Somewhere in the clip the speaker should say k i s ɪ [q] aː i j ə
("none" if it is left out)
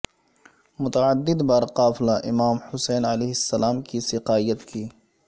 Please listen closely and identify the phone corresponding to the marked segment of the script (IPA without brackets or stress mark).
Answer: q